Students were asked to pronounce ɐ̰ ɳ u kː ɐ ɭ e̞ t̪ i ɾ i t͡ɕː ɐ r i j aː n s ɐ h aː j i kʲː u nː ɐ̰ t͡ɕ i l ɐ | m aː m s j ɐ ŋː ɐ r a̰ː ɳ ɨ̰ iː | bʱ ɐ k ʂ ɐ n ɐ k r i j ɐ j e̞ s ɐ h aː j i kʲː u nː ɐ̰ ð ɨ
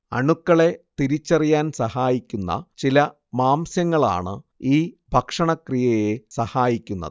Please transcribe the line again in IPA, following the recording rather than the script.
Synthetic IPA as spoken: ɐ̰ ɳ u kː ɐ ɭ e̞ t̪ i ɾ i t͡ɕː ɐ r i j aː n s ɐ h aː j i kʲː u nː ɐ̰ t͡ɕ i l ɐ | m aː m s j ɐ ŋː ɐ ɭ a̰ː ɳ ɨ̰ iː | bʱ ɐ k ʂ ɐ ɳ ɐ k r i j ɐ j e̞ s ɐ h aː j i kʲː u nː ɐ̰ ð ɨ

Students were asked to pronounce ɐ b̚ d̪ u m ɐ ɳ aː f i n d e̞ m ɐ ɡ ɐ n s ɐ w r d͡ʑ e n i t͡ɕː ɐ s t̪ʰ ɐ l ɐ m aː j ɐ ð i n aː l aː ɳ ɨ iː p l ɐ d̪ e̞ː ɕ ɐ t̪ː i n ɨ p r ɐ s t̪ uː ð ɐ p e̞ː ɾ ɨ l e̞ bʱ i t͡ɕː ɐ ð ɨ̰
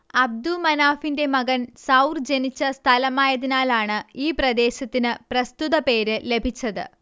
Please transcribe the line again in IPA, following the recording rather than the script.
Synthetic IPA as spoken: ɐ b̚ d̪ u m ɐ n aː f i n d e̞ m ɐ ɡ ɐ n s ɐ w r d͡ʑ e n i t͡ɕː ɐ s t̪ʰ ɐ l ɐ m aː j ɐ ð i n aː l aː ɳ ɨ iː p r ɐ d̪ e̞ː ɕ ɐ t̪ː i n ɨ p r ɐ s t̪ u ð ɐ p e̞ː ɾ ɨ l e̞ bʱ i t͡ɕː ɐ ð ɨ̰

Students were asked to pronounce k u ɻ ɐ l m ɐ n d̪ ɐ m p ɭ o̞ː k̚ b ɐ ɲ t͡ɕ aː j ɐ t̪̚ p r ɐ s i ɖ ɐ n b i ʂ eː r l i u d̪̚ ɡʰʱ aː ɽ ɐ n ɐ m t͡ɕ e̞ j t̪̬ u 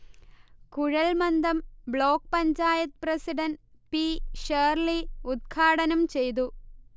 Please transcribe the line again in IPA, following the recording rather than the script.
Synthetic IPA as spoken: k u ɻ ɐ l m ɐ n d̪ ɐ m b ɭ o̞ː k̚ p ɐ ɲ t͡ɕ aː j ɐ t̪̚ p r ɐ s i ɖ ɐ n p i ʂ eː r l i u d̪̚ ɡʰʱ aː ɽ ɐ n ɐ m t͡ɕ e̞ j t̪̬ u

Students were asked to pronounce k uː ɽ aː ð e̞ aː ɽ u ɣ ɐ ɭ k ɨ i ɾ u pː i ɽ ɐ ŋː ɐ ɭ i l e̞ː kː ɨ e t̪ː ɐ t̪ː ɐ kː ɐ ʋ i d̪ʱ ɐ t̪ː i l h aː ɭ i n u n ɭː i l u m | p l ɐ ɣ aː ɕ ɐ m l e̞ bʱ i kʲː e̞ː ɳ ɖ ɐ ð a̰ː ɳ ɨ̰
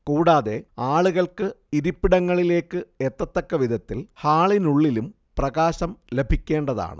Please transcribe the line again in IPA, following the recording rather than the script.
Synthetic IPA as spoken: k uː ɽ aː ð e̞ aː ɭ u ɣ ɐ ɭ k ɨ i ɾ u pː i ɽ ɐ ŋː ɐ ɭ i l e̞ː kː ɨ e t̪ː ɐ t̪ː ɐ kː ɐ ʋ i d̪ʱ ɐ t̪ː i l h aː ɭ i n u ɭː i l u m | p r ɐ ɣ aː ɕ ɐ m l e̞ bʱ i kʲː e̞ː ɳ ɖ ɐ ð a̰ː ɳ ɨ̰

